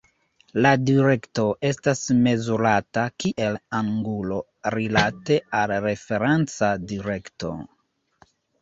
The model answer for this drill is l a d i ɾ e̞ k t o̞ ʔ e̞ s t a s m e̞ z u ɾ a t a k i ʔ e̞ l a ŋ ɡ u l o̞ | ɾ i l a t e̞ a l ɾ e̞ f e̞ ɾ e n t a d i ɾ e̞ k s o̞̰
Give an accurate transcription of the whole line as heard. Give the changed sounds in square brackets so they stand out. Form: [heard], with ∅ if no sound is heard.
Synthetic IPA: l a d i ɾ e̞ k t o̞ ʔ e̞ s t a s m e̞ z u ɾ a t a k i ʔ e̞ l a ŋ ɡ u l o̞ | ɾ i l a t e̞ a l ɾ e̞ f e̞ ɾ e n [t͡s] a d i ɾ e̞ k [t] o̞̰

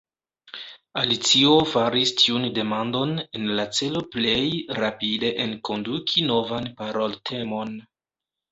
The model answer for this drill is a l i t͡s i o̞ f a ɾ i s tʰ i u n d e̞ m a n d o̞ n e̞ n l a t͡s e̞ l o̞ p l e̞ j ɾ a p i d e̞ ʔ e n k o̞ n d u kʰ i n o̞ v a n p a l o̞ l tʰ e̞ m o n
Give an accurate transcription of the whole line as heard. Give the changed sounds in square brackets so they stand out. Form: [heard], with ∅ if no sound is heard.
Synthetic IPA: a l i t͡s i o̞ f a ɾ i s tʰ i u n d e̞ m a n d o̞ n e̞ n l a t͡s e̞ l o̞ p l e̞ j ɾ a p i d e̞ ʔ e n k o̞ n d u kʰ i n o̞ v a n p a [ɾ] o̞ l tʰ e̞ m o n

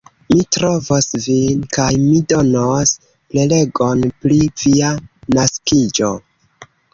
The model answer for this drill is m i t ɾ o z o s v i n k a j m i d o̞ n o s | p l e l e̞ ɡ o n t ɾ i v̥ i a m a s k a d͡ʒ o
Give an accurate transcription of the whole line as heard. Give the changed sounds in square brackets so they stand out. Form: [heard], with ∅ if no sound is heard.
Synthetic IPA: m i t ɾ o [v] o s v i n k a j m i d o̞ n o s | p l e l e̞ ɡ o n [p] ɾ i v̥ i a [n] a s k [i] d͡ʒ o

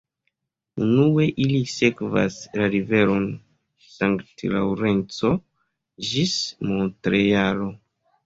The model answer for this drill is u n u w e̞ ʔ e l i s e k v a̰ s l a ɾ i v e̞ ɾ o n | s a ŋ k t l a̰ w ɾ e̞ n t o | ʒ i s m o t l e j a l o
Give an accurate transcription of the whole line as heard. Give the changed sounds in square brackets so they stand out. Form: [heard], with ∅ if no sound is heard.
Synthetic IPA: u n u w e̞ ʔ [i] l i s e k v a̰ s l a ɾ i v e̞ ɾ o n | s a ŋ k t l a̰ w ɾ e̞ n [t͡s] o | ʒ i s m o t [ɾ] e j a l o

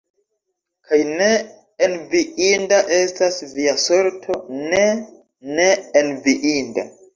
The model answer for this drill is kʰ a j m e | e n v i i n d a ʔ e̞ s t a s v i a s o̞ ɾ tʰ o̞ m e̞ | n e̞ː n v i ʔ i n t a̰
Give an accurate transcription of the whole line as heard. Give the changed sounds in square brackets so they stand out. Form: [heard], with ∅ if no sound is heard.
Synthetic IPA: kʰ a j [n] e | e n v i i n d a ʔ e̞ s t a s v i a s o̞ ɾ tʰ o̞ [n] e̞ | n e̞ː n v i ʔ i n [d] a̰

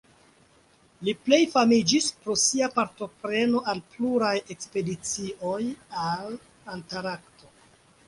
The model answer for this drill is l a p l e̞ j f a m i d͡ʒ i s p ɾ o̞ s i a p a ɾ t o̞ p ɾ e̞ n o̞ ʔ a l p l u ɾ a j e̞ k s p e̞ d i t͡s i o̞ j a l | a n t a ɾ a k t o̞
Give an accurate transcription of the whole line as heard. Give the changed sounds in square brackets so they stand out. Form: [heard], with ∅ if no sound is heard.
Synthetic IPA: l [i] p l e̞ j f a m i d͡ʒ i s p ɾ o̞ s i a p a ɾ t o̞ p ɾ e̞ n o̞ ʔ a l p l u ɾ a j e̞ k s p e̞ d i t͡s i o̞ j a l | a n t a ɾ a k t o̞

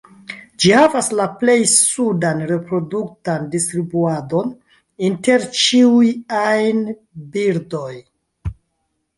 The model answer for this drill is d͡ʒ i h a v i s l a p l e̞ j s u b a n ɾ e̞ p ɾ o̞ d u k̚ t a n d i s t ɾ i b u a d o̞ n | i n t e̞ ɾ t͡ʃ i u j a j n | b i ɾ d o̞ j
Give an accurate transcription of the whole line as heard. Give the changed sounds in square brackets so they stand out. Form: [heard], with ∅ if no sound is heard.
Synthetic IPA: d͡ʒ i h a v [a] s l a p l e̞ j s u [d] a n ɾ e̞ p ɾ o̞ d u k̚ t a n d i s t ɾ i b u a d o̞ n | i n t e̞ ɾ t͡ʃ i u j a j n | b i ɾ d o̞ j

